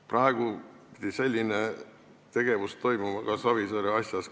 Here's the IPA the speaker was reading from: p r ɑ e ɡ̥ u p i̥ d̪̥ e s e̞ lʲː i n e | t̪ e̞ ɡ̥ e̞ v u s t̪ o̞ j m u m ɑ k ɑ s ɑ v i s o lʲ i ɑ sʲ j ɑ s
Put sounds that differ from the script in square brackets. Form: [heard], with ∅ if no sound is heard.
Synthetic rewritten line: p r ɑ e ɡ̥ u p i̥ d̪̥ [i] s e̞ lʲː i n e | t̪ e̞ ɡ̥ e̞ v u s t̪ o̞ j m u m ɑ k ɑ s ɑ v i s o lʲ i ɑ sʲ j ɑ s